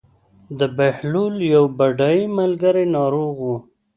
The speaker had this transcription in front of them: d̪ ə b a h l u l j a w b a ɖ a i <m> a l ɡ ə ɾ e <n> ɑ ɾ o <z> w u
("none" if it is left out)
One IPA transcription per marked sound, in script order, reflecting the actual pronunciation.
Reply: m, n, ɣ

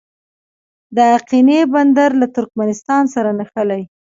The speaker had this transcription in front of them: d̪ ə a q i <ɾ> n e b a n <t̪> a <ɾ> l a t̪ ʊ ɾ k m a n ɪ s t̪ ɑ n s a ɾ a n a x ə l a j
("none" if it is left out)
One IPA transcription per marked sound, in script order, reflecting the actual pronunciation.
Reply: none, d̪, ɾ

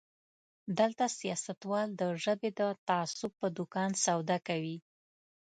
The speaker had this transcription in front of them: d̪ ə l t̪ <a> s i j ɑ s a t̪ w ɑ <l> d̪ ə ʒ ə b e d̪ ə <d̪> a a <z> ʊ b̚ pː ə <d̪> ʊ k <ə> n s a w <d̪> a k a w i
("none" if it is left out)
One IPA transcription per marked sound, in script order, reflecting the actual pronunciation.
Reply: a, l, t̪, s, d̪, ɑ, d̪

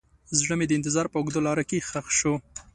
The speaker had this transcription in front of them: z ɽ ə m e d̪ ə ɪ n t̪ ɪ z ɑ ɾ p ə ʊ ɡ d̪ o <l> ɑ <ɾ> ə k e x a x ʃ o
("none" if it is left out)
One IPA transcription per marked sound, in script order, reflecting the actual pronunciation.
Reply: l, ɾ

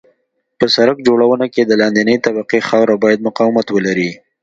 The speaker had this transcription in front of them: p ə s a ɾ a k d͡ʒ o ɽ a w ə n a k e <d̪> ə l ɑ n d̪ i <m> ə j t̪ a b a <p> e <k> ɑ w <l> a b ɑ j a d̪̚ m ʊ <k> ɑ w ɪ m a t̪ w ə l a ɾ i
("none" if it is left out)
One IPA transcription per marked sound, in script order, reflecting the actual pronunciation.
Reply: d̪, n, q, x, ɾ, q

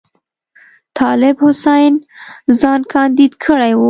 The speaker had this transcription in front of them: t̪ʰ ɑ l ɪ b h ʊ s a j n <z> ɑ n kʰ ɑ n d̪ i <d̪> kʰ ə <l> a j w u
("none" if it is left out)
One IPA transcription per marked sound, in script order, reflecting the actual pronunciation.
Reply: z, d̪, ɽ

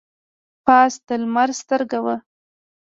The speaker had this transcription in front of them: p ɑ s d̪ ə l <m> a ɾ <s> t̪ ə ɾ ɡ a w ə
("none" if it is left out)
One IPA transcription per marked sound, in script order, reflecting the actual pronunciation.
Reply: m, s

